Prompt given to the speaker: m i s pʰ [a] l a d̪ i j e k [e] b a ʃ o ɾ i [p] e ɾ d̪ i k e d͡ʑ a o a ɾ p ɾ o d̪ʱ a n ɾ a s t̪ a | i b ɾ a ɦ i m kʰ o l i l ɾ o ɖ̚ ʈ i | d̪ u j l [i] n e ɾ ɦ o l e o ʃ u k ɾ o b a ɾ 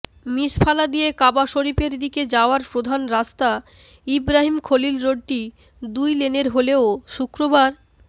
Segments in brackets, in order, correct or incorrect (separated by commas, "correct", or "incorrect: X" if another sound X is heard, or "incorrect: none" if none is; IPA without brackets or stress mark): correct, incorrect: a, correct, incorrect: e